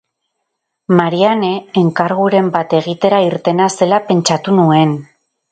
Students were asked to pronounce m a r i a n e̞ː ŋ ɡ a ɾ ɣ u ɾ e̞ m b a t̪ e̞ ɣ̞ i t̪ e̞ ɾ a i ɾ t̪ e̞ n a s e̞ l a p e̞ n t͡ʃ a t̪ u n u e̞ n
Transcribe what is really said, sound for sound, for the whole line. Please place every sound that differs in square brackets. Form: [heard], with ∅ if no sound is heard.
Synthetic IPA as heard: m a [ɾ] i a n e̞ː ŋ [k] a ɾ ɣ u ɾ e̞ m b a t̪ e̞ ɣ̞ i t̪ e̞ ɾ a i ɾ t̪ e̞ n a s e̞ l a p e̞ n t͡ʃ a t̪ u n u e̞ n